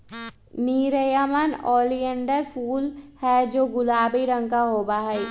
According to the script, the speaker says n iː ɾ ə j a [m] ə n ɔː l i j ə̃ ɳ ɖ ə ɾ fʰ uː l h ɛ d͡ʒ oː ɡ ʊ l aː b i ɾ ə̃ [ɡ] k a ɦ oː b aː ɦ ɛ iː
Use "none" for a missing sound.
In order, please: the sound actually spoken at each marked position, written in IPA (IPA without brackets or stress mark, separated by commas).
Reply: m, ŋ